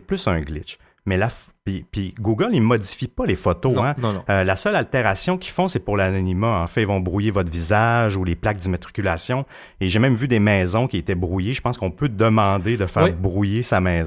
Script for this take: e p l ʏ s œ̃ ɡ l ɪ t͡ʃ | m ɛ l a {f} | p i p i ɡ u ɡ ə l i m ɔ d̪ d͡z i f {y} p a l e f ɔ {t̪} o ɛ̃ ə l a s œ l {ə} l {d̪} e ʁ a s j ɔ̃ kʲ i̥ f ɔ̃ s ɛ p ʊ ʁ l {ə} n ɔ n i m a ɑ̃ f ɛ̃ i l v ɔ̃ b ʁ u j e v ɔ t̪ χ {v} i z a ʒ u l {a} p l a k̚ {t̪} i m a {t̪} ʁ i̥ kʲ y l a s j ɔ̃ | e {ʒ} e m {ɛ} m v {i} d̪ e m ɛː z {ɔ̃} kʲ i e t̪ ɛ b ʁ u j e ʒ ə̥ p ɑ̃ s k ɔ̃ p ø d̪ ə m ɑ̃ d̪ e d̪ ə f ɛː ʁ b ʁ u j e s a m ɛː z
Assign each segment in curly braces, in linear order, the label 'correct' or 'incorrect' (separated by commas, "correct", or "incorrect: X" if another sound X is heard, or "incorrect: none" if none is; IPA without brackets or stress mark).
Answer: correct, incorrect: i, correct, incorrect: a, incorrect: t̪, incorrect: a, correct, incorrect: e, incorrect: d̪, correct, correct, incorrect: ɛ̃, incorrect: y, correct